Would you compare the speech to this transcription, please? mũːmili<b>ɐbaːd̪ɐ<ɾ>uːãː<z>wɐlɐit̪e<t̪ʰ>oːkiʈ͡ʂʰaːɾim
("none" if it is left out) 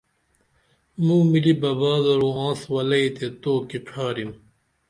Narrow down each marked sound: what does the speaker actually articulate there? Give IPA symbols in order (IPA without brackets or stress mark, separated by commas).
b, ɾ, s, t̪